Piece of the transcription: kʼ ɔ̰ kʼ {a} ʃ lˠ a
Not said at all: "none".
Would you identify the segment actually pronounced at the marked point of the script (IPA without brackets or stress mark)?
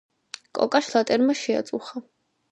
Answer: a